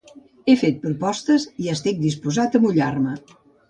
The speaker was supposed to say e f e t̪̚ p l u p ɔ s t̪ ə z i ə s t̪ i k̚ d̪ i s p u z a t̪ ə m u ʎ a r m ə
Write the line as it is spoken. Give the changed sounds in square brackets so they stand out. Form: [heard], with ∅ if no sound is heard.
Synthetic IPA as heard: e f e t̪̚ p [ɾ] u p ɔ s t̪ ə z i ə s t̪ i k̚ d̪ i s p u z a t̪ ə m u ʎ a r m ə